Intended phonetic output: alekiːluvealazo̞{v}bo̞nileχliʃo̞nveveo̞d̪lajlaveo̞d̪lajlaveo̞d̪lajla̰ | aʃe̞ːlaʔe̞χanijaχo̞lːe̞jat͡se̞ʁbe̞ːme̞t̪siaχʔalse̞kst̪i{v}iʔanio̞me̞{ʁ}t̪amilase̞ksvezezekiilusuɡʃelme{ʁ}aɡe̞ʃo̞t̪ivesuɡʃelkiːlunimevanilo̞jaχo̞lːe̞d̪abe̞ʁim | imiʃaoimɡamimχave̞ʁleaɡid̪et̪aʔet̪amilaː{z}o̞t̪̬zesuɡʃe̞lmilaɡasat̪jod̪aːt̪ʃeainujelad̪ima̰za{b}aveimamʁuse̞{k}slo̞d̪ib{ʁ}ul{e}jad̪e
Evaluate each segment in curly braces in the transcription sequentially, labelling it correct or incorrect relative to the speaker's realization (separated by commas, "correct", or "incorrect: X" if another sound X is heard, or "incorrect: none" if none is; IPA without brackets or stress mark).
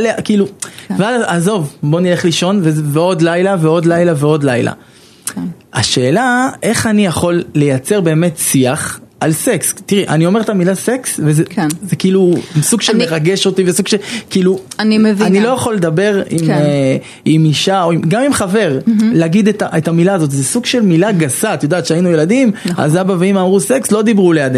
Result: correct, incorrect: ʁ, correct, correct, correct, correct, correct, correct, correct